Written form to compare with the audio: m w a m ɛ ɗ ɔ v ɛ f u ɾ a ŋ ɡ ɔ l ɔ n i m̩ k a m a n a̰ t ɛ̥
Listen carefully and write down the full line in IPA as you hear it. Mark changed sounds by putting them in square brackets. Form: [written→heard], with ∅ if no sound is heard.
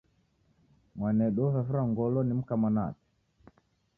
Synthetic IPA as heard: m w a [m→n] ɛ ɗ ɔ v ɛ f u ɾ a ŋ ɡ ɔ l ɔ n i m̩ k a m a n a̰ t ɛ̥